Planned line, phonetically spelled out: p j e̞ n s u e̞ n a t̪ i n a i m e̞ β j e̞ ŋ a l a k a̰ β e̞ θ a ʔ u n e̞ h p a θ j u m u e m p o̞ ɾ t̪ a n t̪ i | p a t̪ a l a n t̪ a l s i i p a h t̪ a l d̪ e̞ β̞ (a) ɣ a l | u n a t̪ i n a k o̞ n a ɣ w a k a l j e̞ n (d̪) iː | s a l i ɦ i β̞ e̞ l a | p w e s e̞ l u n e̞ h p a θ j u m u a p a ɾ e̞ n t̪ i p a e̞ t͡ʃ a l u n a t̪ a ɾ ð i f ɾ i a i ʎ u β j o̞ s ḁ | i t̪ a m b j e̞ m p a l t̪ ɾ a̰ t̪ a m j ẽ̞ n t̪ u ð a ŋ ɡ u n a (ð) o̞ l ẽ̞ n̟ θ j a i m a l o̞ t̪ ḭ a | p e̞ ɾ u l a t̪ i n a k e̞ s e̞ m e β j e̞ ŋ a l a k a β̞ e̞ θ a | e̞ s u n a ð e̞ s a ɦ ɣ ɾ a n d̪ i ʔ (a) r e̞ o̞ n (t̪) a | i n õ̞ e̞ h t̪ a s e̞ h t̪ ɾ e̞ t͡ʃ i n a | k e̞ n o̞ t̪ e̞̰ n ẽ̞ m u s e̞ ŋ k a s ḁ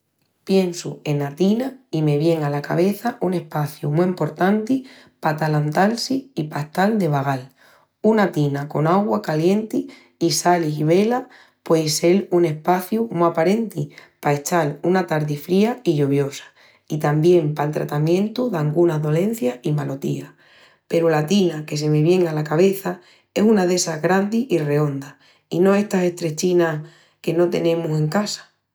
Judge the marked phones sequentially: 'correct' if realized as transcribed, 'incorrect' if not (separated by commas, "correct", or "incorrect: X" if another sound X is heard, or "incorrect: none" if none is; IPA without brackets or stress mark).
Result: correct, incorrect: t̪, correct, incorrect: i, incorrect: d̪